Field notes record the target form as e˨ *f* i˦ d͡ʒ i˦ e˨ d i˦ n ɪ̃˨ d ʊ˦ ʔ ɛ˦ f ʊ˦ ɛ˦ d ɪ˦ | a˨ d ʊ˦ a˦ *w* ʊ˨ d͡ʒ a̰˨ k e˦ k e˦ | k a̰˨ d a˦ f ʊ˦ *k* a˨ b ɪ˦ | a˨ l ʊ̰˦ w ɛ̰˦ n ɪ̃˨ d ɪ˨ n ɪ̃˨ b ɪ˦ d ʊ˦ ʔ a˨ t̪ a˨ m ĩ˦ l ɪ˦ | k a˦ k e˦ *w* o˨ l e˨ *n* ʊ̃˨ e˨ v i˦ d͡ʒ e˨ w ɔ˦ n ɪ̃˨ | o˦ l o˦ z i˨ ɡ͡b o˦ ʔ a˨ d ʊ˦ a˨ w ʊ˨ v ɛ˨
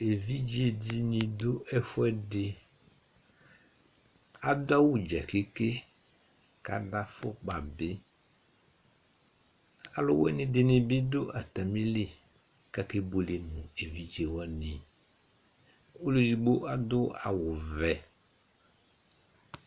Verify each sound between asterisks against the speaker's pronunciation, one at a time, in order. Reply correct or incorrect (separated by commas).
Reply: incorrect, correct, incorrect, incorrect, correct